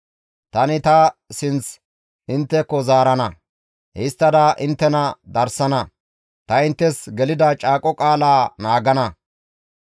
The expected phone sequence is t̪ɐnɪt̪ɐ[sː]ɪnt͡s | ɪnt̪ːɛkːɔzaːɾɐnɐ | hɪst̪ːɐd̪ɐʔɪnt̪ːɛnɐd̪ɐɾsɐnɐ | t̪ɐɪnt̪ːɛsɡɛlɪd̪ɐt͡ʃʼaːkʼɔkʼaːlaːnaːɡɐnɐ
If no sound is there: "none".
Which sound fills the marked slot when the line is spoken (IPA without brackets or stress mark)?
s